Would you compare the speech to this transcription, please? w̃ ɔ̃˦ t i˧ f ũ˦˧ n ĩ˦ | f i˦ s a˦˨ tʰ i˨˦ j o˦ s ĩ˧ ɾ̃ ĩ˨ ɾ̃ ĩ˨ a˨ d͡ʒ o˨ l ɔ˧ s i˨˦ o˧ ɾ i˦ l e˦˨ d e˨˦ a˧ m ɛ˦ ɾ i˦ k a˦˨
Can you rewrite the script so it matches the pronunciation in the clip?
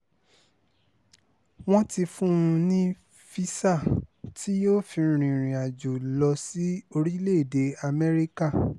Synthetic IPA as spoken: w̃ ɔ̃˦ t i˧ f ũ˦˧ n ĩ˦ | f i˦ s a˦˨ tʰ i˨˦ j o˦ f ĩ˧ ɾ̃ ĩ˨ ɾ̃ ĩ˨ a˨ d͡ʒ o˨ l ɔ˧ s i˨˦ o˧ ɾ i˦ l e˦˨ d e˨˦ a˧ m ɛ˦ ɾ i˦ k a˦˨